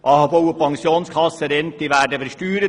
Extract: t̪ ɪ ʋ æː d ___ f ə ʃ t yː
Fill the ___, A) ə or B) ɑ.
A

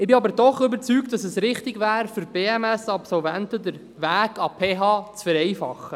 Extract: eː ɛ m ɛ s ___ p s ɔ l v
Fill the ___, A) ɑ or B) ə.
A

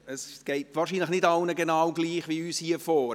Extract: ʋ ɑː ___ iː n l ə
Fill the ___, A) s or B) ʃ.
B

